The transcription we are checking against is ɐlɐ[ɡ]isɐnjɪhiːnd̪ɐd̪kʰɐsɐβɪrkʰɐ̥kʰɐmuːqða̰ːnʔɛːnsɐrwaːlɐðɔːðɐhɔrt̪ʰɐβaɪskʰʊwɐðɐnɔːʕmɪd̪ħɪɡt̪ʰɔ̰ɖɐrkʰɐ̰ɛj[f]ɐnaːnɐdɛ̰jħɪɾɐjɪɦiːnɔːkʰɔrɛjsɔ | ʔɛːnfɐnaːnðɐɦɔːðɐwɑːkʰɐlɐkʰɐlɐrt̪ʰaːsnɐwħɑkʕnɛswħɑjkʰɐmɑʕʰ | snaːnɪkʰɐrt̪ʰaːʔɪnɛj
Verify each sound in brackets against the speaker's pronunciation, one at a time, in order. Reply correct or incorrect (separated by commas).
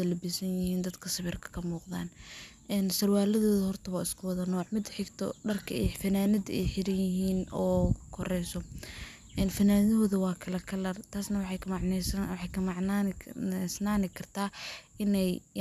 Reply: incorrect, correct